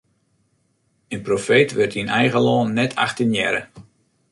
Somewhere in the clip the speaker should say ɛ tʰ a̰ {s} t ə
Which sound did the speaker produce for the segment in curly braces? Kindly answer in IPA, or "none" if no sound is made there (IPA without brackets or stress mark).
x